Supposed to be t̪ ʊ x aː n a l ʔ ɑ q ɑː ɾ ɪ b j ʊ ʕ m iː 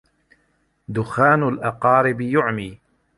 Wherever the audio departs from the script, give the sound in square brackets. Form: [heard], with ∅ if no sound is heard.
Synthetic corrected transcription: [d̪] ʊ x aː n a l ʔ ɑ q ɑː ɾ ɪ b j ʊ ʕ m iː